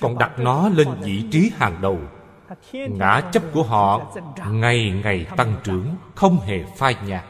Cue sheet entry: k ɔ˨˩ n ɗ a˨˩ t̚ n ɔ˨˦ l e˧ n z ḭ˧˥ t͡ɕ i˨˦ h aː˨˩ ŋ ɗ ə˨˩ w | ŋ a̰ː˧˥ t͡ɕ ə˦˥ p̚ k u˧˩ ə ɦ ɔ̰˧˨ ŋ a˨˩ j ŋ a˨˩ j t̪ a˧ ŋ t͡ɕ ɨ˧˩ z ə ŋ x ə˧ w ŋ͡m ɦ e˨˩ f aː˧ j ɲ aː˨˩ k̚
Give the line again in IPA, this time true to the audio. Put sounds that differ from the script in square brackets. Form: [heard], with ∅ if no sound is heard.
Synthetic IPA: k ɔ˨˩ n ɗ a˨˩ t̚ n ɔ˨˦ l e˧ n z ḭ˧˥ t͡ɕ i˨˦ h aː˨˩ ŋ ɗ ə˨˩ w | ŋ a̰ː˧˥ t͡ɕ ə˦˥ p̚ k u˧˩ ə ɦ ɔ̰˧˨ ŋ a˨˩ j ŋ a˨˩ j t̪ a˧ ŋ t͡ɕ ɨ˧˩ [∅] ə ŋ x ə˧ w ŋ͡m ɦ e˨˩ f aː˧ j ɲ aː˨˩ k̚